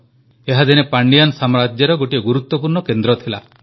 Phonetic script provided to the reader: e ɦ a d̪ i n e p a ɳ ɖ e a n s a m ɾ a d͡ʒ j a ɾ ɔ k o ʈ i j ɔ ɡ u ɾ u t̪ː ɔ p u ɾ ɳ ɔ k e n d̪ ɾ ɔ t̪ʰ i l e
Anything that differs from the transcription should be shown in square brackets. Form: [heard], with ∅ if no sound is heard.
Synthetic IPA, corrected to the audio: e ɦ a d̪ i n e p a ɳ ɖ [i] a n s a m ɾ a d͡ʒ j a ɾ ɔ [ɡ] o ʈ i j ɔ ɡ u ɾ u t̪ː ɔ p u ɾ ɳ ɔ k e n d̪ ɾ ɔ t̪ʰ i l [a]